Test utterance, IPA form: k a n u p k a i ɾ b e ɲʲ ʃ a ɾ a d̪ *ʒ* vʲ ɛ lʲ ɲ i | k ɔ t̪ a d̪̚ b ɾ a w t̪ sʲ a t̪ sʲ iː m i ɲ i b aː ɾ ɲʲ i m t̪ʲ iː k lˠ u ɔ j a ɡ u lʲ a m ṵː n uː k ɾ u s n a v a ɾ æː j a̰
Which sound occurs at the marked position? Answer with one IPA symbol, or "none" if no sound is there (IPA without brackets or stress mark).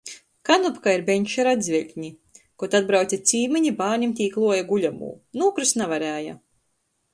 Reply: z